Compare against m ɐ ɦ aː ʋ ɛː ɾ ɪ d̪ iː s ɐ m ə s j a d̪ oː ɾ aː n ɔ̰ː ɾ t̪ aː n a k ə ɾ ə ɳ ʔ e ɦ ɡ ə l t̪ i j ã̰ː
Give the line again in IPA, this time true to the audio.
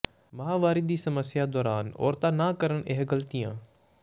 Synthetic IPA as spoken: m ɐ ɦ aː ʋ aː ɾ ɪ d̪ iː s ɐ m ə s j a d̪ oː ɾ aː n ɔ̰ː ɾ t̪ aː n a k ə ɾ ə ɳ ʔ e ɦ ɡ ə l t̪ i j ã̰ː